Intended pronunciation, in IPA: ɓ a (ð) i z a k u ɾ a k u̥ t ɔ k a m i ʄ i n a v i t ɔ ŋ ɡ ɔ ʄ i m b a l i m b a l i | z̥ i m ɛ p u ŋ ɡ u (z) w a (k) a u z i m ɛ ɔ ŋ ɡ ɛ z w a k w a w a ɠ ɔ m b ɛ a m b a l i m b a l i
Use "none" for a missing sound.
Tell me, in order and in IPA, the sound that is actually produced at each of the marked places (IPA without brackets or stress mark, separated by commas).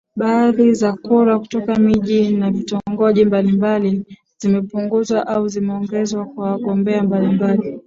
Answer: ð, z, ʔ